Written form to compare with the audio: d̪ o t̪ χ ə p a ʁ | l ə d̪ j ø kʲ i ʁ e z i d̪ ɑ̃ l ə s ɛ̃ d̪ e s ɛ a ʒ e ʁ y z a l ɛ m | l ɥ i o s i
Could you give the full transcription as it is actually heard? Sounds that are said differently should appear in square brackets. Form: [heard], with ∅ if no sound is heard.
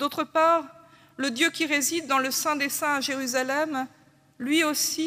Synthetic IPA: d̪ o t̪ χ ə p a ʁ | l ə d̪ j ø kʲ i ʁ e z i [d̪ː] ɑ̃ l ə s ɛ̃ d̪ e s [ɛ̃] a ʒ e ʁ y z a l ɛ m | l ɥ i o s i